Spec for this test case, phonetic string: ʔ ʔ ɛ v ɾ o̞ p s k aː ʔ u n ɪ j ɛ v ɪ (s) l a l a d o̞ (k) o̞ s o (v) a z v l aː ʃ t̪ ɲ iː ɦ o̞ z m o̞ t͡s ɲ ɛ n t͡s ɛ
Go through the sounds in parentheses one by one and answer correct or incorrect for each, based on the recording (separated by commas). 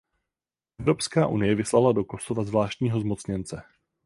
correct, correct, correct